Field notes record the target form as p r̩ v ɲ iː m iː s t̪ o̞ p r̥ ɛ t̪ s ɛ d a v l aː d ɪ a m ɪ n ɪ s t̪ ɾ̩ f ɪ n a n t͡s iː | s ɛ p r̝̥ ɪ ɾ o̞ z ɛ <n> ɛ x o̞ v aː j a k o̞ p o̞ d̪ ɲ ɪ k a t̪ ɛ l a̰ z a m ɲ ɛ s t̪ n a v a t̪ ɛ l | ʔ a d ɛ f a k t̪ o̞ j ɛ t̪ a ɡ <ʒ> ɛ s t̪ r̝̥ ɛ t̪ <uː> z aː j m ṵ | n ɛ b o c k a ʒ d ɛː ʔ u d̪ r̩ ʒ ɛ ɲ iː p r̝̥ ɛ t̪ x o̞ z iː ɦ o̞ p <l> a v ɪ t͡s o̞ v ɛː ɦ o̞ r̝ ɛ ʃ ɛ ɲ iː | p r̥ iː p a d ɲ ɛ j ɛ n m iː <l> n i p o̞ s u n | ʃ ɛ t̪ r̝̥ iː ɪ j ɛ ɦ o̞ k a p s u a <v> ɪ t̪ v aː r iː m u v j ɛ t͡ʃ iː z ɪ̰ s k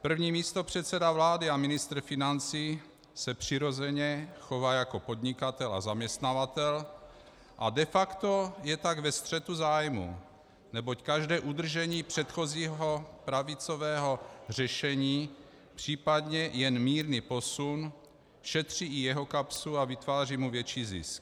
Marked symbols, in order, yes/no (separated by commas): no, no, no, no, no, yes